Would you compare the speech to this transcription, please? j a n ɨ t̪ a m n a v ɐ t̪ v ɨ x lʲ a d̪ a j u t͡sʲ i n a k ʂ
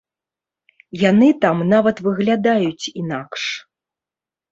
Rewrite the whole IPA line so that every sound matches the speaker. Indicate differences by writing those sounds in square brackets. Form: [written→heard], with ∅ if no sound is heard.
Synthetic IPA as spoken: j a n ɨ t̪ a m n a v ɐ t̪ v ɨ [x→ɣ] lʲ a d̪ a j u t͡sʲ i n a k ʂ